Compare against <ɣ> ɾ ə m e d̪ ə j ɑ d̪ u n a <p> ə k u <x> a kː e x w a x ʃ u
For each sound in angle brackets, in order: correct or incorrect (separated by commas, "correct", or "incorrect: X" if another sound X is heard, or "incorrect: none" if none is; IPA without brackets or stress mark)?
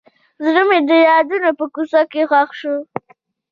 incorrect: z, correct, incorrect: s